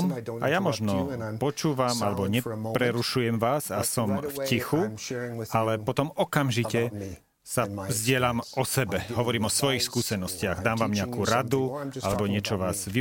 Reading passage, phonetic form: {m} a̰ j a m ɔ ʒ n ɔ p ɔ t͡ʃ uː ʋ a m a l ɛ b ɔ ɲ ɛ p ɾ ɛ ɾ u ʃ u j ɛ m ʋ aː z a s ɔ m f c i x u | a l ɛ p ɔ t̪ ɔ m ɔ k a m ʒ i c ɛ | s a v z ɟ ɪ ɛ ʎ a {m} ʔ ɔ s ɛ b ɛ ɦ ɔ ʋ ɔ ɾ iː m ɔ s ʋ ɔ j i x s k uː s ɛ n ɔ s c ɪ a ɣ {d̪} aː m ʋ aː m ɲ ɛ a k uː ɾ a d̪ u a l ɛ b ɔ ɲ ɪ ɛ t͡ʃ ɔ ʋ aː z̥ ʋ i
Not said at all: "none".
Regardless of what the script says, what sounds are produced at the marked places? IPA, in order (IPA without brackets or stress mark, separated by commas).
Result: m, m, d̪